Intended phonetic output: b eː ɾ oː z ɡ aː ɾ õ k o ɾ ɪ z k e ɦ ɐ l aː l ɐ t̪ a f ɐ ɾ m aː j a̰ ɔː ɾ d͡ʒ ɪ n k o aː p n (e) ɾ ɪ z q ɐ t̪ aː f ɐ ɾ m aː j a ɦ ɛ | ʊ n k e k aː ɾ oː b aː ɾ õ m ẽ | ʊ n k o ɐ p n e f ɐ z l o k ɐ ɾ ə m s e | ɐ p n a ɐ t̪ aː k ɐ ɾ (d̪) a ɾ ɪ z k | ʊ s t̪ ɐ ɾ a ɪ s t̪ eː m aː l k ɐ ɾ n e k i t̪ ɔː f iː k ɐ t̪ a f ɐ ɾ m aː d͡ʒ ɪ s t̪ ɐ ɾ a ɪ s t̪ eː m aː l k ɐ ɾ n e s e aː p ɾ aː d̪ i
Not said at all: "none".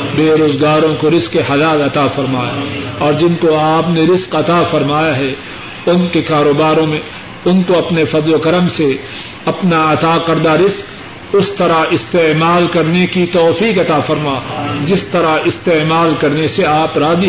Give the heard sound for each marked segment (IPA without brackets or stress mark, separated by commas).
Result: e, d̪